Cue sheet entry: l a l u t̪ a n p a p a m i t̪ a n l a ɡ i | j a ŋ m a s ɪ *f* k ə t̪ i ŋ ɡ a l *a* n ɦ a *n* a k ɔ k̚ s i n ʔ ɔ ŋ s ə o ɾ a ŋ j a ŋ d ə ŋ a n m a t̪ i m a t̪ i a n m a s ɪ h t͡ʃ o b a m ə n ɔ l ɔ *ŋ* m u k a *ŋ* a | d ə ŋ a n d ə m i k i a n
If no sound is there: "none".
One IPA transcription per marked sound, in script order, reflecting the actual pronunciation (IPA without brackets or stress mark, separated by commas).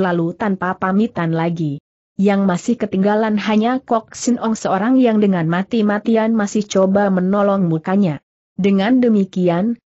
h, a, ɲ, ŋ, ɲ